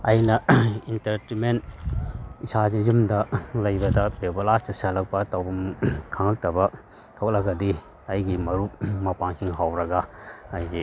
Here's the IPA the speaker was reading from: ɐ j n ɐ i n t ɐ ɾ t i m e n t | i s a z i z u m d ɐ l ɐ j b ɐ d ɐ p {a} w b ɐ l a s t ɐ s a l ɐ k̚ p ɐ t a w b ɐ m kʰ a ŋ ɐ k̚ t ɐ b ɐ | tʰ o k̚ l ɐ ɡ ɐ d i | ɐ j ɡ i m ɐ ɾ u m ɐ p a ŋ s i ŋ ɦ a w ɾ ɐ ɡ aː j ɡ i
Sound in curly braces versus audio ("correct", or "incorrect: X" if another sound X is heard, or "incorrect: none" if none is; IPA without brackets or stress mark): incorrect: e